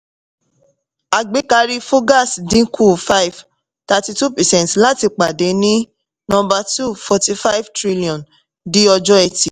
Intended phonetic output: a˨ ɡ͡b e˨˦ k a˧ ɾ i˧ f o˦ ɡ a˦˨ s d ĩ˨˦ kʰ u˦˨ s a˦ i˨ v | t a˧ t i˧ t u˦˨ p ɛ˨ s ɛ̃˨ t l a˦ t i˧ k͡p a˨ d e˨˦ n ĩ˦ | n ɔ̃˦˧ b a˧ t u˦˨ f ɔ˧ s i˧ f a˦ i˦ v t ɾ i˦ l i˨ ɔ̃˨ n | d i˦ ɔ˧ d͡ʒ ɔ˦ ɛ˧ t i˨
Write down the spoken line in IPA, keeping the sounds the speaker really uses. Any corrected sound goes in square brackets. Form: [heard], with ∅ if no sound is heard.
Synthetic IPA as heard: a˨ ɡ͡b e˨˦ k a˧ ɾ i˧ f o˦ ɡ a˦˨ s d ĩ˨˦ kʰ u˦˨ [f] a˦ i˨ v | t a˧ t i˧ t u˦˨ p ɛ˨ s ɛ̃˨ t l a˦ t i˧ k͡p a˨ d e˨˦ n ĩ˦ | n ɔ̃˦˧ b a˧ t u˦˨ f ɔ˧ [t] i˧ f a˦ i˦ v t ɾ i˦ l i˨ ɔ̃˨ n | d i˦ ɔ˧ d͡ʒ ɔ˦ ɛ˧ t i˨